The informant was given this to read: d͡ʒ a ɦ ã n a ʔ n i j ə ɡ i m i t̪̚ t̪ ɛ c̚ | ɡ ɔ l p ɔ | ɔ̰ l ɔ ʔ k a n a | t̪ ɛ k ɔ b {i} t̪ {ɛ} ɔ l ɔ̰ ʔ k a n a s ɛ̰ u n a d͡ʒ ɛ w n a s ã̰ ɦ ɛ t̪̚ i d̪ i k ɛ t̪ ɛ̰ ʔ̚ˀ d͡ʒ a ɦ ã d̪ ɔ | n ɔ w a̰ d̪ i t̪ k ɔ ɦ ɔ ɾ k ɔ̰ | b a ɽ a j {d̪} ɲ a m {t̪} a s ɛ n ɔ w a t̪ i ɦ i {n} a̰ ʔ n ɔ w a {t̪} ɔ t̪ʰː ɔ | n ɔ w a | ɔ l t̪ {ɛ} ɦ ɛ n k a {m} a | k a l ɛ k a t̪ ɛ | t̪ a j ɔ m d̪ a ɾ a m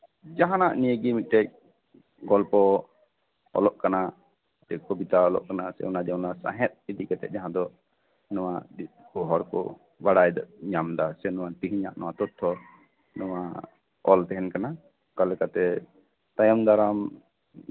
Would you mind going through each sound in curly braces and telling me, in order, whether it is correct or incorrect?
correct, incorrect: a, correct, incorrect: d̪, incorrect: ɲ, correct, correct, incorrect: n

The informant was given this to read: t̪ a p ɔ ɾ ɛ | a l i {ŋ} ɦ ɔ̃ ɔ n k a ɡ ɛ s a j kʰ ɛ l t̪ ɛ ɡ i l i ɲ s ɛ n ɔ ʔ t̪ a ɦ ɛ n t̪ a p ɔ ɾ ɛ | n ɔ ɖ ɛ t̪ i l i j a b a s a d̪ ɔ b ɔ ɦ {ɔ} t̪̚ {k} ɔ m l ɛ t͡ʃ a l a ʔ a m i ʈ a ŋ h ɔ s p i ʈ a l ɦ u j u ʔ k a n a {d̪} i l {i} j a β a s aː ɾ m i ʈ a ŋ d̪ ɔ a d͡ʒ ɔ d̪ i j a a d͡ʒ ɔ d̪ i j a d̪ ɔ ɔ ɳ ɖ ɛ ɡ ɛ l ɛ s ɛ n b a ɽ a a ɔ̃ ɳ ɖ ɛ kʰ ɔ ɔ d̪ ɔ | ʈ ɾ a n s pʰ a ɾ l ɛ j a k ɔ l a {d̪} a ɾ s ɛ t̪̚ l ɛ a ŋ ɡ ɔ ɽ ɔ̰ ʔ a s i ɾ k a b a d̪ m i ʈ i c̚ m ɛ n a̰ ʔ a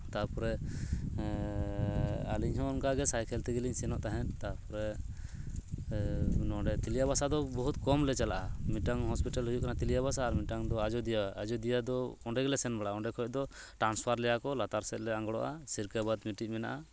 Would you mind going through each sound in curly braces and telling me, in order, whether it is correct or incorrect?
incorrect: ɲ, incorrect: u, correct, incorrect: t̪, correct, incorrect: t̪

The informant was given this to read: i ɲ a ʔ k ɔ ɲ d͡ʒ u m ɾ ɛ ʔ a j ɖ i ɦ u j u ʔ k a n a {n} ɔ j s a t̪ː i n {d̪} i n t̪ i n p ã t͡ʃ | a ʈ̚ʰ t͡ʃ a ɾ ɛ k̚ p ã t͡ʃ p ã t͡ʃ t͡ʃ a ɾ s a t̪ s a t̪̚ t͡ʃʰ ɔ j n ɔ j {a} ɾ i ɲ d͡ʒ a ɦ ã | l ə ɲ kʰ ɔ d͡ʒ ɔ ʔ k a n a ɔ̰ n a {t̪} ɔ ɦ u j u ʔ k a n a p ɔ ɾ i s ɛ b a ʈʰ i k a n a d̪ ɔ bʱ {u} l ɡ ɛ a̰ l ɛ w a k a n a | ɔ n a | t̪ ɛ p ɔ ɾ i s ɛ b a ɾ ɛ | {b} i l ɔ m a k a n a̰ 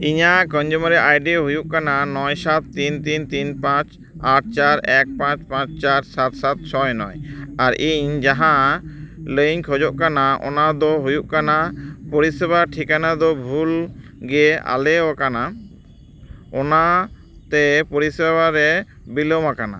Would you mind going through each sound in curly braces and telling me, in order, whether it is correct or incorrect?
correct, incorrect: t̪, correct, incorrect: d̪, correct, correct

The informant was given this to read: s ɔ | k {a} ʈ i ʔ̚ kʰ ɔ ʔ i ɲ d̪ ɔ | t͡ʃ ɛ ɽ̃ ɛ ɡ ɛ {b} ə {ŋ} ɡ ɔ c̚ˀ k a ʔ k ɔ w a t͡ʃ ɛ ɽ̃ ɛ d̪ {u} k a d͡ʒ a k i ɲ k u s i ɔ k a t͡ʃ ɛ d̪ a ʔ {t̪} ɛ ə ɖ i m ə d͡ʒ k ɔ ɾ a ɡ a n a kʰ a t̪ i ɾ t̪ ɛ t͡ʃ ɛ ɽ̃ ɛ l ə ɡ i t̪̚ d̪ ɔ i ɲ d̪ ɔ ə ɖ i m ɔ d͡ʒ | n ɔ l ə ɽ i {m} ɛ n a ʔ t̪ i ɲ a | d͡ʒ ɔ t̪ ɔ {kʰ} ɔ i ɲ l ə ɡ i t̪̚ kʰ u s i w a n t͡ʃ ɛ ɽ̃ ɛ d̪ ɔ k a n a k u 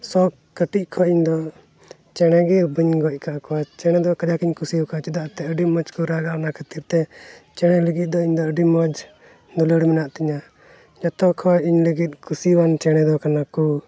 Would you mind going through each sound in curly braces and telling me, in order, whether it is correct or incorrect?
incorrect: ə, correct, incorrect: ɲ, incorrect: ɔ, correct, correct, correct

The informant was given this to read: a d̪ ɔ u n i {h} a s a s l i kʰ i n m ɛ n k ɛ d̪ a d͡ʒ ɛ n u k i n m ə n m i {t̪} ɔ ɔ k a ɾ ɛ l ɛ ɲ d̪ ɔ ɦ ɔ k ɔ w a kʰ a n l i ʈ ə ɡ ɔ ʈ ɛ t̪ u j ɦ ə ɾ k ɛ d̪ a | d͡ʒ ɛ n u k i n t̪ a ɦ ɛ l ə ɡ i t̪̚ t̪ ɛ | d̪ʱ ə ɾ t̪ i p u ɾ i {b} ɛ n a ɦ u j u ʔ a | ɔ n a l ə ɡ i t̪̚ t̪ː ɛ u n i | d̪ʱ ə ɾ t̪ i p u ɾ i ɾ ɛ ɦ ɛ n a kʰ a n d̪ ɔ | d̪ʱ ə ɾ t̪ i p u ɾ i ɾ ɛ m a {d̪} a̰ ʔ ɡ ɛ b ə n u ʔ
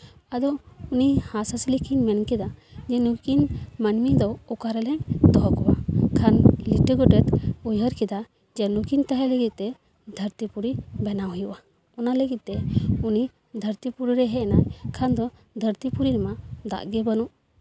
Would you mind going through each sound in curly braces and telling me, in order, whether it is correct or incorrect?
correct, incorrect: d̪, correct, correct

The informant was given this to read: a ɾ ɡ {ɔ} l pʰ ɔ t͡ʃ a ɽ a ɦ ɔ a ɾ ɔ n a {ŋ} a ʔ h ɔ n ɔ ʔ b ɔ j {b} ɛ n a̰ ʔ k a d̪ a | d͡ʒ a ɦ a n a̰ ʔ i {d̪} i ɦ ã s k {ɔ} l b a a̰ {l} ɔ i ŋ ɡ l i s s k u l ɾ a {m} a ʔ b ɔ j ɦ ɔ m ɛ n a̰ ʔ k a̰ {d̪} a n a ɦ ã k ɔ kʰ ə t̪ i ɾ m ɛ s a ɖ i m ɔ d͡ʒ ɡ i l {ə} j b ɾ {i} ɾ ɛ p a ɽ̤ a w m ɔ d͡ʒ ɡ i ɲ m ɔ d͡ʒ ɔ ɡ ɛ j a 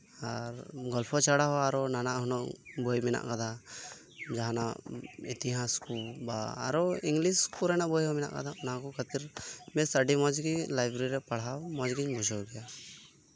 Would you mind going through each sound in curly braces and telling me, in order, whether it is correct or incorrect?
correct, incorrect: n, incorrect: m, incorrect: t̪, incorrect: u, incorrect: ɾ, incorrect: n, correct, incorrect: a, correct

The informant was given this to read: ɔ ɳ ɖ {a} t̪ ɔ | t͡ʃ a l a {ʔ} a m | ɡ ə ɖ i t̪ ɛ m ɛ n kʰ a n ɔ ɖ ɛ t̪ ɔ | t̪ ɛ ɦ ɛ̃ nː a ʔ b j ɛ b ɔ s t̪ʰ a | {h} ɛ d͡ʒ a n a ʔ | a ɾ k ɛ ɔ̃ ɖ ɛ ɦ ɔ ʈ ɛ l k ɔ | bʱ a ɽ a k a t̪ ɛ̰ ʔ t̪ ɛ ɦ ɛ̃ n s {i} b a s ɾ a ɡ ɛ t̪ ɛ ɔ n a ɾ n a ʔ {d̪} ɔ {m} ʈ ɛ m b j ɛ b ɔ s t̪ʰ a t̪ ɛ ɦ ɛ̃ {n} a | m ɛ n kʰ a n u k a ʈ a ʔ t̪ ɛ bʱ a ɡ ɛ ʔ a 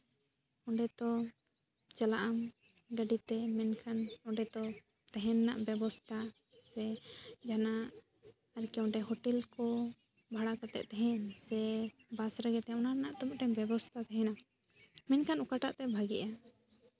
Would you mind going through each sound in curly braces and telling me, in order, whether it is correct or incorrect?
incorrect: ɛ, correct, incorrect: s, incorrect: ɛ, incorrect: t̪, correct, correct

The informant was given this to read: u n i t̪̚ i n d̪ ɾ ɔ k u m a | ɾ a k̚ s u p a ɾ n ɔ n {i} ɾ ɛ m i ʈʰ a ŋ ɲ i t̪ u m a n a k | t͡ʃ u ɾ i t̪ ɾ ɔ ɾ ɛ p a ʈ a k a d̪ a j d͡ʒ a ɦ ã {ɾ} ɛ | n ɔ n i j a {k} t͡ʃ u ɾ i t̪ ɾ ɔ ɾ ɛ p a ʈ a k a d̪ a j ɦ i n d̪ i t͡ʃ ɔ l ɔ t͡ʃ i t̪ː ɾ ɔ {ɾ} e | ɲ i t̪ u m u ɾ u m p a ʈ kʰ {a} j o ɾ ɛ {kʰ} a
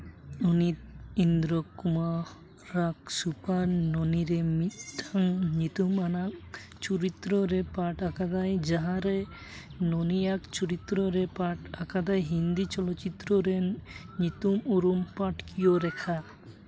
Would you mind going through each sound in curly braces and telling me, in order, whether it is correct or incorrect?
correct, correct, correct, correct, incorrect: i, correct

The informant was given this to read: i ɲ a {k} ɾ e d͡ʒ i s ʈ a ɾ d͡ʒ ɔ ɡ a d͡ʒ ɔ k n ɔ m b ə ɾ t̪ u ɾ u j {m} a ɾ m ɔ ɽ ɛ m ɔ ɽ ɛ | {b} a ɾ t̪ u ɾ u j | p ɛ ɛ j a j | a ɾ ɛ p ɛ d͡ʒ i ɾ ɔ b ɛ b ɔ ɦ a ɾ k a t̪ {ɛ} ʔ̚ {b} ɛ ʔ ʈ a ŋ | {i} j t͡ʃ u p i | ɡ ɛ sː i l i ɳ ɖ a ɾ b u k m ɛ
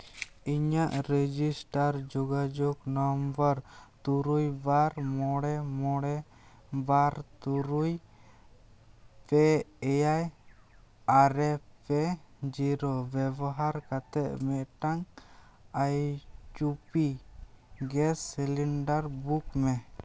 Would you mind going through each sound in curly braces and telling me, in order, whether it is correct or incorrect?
incorrect: ʔ, incorrect: b, correct, correct, incorrect: m, incorrect: a

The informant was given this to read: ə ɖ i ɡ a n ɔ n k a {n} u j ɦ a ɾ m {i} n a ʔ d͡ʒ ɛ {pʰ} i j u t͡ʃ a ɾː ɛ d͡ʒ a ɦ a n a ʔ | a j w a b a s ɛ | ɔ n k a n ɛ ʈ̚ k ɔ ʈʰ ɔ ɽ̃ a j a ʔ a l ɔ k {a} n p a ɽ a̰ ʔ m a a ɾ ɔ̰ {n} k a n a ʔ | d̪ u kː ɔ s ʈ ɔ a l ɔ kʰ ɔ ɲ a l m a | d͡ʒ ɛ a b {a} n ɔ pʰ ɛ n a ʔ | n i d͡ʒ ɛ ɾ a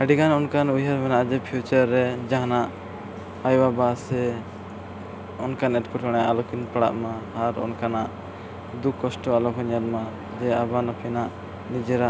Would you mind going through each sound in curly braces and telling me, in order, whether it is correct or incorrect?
correct, incorrect: ɛ, correct, incorrect: i, correct, correct

